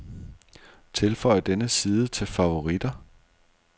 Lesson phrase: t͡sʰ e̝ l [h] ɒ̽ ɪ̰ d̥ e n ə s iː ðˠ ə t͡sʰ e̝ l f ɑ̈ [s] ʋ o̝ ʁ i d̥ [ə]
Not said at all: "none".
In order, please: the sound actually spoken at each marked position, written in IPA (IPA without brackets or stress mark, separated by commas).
f, none, ɐ